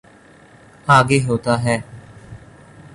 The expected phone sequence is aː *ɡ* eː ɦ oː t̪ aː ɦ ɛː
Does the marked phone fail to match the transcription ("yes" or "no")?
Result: no